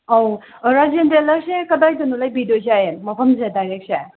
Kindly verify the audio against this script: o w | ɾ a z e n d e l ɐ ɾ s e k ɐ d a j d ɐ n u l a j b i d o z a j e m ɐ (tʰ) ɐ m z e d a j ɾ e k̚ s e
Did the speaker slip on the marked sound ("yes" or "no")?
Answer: yes